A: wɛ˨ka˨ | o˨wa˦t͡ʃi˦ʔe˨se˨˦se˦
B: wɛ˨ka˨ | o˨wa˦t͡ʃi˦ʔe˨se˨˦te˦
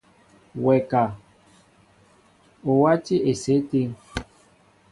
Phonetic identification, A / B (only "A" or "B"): B